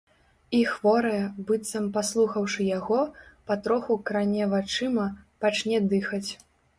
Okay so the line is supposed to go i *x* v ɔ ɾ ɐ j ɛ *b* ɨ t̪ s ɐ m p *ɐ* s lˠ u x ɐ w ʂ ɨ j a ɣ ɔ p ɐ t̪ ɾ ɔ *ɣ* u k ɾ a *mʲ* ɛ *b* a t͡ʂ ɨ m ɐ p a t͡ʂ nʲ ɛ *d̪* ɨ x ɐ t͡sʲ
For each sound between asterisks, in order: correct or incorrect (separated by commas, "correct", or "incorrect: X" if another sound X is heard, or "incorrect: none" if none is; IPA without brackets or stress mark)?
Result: correct, correct, incorrect: a, incorrect: x, incorrect: nʲ, incorrect: v, correct